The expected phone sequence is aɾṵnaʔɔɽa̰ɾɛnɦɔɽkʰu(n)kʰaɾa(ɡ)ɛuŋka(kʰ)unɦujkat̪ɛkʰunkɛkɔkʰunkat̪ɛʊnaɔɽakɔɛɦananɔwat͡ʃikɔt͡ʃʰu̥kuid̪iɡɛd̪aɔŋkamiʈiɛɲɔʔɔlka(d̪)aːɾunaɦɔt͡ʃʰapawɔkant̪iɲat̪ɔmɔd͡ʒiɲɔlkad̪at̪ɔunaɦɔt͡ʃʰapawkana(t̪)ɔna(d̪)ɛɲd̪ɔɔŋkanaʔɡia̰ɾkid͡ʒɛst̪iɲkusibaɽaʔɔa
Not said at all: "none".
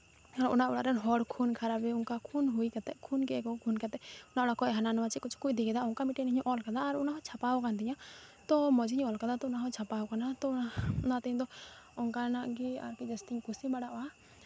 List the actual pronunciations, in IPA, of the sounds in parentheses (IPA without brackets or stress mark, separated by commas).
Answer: n, b, kʰ, d̪, t̪, t̪